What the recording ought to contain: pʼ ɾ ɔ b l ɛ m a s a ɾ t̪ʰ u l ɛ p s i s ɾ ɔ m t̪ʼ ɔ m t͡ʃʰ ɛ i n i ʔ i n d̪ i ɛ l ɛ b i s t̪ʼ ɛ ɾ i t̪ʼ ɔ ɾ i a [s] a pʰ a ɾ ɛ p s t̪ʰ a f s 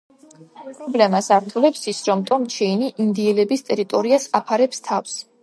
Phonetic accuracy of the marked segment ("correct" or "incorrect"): correct